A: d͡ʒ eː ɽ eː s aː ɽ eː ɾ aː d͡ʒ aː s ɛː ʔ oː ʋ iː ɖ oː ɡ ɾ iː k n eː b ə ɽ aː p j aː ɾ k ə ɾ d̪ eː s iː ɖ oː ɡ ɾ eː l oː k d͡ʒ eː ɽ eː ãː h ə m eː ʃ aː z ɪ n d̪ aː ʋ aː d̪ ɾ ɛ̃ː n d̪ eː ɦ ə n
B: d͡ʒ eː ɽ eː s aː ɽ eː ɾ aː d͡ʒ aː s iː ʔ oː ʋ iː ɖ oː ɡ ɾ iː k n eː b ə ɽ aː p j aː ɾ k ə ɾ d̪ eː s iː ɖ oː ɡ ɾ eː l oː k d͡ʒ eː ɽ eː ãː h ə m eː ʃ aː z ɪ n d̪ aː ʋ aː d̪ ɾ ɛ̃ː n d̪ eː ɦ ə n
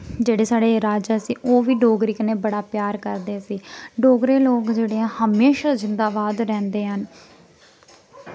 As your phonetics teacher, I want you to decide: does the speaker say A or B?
B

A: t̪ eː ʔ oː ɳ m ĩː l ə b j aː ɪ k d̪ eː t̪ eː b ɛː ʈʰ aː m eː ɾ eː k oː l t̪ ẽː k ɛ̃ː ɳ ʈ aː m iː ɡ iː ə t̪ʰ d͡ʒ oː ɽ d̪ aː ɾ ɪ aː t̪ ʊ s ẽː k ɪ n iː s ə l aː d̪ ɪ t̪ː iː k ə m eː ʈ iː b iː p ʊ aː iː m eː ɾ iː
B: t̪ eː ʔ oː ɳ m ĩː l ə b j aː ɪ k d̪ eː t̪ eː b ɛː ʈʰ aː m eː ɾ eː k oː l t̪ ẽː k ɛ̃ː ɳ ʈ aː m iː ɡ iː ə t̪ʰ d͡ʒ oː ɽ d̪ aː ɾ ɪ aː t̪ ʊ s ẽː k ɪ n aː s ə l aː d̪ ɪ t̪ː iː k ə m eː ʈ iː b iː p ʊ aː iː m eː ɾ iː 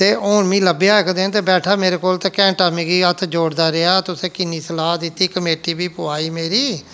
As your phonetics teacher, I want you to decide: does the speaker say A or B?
A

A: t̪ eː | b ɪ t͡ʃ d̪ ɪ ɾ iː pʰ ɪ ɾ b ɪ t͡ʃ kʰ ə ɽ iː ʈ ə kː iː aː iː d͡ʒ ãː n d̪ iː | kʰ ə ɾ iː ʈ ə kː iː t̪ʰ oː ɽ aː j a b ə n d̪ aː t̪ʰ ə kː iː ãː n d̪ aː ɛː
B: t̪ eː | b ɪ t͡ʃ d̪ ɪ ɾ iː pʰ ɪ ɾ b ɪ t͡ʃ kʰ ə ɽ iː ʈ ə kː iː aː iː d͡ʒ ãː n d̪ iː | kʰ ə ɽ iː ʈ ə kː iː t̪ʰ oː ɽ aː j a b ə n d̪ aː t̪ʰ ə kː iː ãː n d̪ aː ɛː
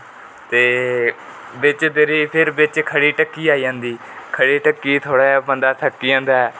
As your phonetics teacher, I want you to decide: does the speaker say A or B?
B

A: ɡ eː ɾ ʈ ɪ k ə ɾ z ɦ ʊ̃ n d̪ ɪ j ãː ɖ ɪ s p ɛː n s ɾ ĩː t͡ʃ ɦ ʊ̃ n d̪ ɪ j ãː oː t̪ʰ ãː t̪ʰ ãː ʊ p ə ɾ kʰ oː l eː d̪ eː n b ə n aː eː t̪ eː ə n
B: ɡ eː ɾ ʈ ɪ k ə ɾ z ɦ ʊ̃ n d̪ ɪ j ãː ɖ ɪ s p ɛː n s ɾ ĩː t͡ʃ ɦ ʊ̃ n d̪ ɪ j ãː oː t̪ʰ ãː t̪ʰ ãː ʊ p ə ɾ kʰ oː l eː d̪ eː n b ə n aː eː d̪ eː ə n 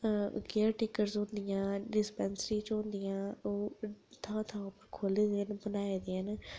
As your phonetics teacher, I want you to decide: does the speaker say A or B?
B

